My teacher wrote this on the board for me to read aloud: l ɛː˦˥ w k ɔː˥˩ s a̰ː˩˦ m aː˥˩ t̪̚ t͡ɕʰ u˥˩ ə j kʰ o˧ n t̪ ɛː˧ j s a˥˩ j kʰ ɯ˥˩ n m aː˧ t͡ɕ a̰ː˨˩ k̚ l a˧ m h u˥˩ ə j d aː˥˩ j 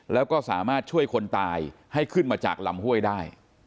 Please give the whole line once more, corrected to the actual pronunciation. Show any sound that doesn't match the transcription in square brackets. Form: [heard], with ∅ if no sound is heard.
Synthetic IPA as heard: l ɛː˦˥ w k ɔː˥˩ s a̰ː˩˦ m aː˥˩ t̪̚ t͡ɕʰ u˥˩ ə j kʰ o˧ n t̪ [aː˧] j [h] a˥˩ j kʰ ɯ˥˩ n m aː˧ t͡ɕ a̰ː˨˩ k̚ l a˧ m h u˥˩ ə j d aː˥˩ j